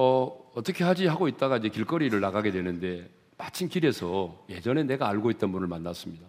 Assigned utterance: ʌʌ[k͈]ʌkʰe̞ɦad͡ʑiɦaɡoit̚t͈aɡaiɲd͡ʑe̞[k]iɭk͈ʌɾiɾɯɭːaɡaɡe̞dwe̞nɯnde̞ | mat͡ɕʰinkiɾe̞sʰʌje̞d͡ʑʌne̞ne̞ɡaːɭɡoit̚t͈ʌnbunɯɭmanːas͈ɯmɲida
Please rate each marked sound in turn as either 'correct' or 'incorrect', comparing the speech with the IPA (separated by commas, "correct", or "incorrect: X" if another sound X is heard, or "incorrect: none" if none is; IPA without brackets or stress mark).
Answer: incorrect: t͈, correct